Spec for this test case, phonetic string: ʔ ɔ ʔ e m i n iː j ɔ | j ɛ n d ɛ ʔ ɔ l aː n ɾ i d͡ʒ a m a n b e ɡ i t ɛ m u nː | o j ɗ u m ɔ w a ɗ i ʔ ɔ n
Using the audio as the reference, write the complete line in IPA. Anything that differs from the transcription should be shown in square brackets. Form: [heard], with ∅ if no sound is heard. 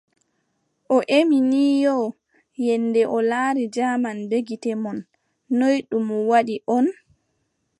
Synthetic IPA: ʔ ɔ ʔ e m i n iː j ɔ | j ɛ n d ɛ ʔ ɔ l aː [∅] ɾ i d͡ʒ a m a n b e ɡ i t ɛ m [ɔ] nː | o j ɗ u m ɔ w a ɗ i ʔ ɔ n